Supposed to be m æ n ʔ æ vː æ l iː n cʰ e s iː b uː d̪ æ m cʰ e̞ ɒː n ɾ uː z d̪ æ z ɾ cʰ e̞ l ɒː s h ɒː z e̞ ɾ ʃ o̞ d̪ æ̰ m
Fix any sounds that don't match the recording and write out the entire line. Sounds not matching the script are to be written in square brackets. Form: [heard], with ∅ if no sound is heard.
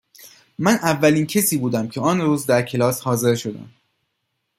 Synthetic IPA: m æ n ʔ æ vː æ l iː n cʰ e s iː b uː d̪ æ m cʰ e̞ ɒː n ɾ uː z d̪ æ [∅] ɾ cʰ e̞ l ɒː s h ɒː z e̞ ɾ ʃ o̞ d̪ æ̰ m